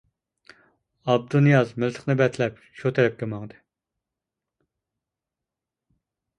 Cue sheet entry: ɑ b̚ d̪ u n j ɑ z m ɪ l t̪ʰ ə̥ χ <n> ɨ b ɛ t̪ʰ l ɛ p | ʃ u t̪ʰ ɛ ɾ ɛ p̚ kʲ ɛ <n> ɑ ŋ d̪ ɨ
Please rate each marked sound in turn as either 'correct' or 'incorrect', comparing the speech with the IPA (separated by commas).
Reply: correct, incorrect